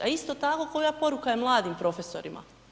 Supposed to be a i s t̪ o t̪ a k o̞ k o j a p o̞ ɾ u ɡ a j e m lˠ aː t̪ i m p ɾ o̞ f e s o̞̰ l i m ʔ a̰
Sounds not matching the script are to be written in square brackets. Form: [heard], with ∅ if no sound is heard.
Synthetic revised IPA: a i s t̪ o t̪ a k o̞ k o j a p o̞ ɾ u [k] a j e m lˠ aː [d̪] i m p ɾ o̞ f e s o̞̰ [ɾ] i m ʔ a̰

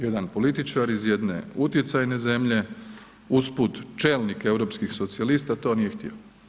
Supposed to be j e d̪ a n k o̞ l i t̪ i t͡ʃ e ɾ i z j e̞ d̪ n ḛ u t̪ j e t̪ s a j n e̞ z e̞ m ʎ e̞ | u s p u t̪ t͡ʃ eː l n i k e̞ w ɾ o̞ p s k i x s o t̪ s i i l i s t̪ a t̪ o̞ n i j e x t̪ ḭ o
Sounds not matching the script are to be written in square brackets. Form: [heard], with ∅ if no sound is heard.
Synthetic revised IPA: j e d̪ a n [p] o̞ l i t̪ i t͡ʃ [a] ɾ i z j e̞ d̪ n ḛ u t̪ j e t̪ s a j n e̞ z e̞ m ʎ e̞ | u s p u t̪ t͡ʃ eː l n i k e̞ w ɾ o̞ p s k i x s o t̪ s i [a] l i s t̪ a t̪ o̞ n i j e x t̪ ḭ o

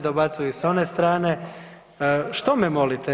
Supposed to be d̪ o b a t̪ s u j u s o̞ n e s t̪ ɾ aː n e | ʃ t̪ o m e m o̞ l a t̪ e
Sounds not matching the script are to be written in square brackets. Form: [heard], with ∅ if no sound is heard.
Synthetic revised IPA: d̪ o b a t̪ s u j u s o̞ n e s t̪ ɾ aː n e | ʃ t̪ o m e m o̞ l [i] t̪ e

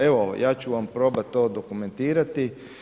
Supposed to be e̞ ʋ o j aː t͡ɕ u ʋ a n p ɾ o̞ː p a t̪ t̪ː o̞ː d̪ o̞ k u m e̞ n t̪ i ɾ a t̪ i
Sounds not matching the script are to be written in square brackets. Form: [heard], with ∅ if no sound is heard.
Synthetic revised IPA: e̞ ʋ o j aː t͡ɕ u ʋ a [m] p ɾ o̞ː [b] a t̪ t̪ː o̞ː d̪ o̞ k u m e̞ n t̪ [iː] ɾ a t̪ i

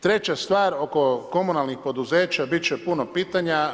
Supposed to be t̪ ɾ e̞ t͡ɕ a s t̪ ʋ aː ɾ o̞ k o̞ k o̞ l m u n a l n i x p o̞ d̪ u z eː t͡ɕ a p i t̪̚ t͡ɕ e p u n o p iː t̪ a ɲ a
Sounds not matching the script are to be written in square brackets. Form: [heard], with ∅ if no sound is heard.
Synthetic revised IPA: t̪ ɾ e̞ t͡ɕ a s t̪ ʋ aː ɾ o̞ k o̞ k o̞ [∅] m u n a l n i x p o̞ d̪ u z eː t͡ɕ a [b] i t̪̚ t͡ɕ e p u n o p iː t̪ a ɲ a

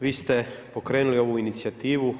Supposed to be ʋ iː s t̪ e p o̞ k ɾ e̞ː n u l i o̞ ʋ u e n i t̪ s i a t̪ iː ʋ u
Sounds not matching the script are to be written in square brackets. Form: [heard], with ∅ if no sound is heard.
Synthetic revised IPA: ʋ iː s t̪ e p o̞ k ɾ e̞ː n u l i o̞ ʋ u [i] n i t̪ s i a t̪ iː ʋ u

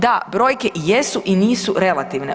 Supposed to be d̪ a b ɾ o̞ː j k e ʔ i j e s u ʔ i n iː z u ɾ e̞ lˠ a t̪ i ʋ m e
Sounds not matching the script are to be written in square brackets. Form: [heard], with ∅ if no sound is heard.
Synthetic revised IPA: d̪ a b ɾ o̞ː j k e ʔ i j e s u ʔ i n iː [s] u ɾ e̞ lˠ a t̪ i ʋ [n] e

